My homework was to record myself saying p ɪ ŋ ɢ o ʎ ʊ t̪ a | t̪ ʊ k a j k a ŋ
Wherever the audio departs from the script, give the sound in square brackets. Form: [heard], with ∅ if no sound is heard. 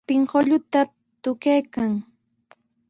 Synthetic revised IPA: p ɪ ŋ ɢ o ʎ ʊ t̪ a | t̪ ʊ k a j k a ŋ